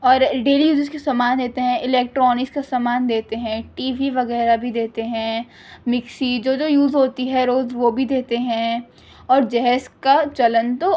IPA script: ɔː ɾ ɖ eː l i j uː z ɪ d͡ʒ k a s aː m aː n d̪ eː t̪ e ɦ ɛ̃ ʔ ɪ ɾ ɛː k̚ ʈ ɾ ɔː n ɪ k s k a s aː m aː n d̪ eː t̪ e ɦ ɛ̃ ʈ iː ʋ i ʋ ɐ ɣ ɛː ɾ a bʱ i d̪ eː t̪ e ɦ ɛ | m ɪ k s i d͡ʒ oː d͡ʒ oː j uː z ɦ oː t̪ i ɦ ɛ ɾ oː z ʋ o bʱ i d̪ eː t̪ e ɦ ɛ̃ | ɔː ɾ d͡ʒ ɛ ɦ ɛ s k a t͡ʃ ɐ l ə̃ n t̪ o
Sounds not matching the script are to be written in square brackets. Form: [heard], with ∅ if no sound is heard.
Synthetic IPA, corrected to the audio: ɔː ɾ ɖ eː l i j uː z ɪ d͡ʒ k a s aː m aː n d̪ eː t̪ e ɦ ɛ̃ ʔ ɪ [l] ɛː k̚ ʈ ɾ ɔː n ɪ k s k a s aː m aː n d̪ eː t̪ e ɦ ɛ̃ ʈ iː ʋ i ʋ ɐ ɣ ɛː ɾ a bʱ i d̪ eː t̪ e ɦ [ɛ̃] | m ɪ k s i d͡ʒ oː d͡ʒ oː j uː z ɦ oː t̪ i ɦ ɛ ɾ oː z ʋ o bʱ i d̪ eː t̪ e ɦ ɛ̃ | ɔː ɾ d͡ʒ ɛ ɦ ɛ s k a t͡ʃ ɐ l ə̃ n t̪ o